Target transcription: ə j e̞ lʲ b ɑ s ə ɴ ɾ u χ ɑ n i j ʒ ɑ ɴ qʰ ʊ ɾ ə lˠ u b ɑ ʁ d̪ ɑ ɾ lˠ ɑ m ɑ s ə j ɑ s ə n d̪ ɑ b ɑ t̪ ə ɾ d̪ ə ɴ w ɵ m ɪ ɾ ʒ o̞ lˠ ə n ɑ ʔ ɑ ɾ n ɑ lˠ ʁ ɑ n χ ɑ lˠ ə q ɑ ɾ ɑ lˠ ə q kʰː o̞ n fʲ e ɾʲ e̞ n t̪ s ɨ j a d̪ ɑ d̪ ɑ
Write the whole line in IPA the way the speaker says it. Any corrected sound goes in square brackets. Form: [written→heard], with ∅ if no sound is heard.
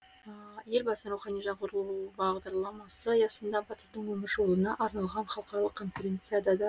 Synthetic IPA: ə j e̞ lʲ b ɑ s ə [ɴ→n] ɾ u χ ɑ n i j ʒ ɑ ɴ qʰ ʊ ɾ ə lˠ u b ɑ ʁ d̪ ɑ ɾ lˠ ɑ m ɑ s ə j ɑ s ə n d̪ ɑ b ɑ t̪ ə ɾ d̪ ə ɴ w ɵ m ɪ ɾ ʒ o̞ lˠ ə n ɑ ʔ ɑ ɾ n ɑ lˠ ʁ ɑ n χ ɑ lˠ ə q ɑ ɾ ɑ lˠ ə q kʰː o̞ n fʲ e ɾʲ e̞ n t̪ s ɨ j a d̪ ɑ d̪ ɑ